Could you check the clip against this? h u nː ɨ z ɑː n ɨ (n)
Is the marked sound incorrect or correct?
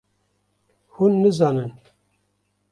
correct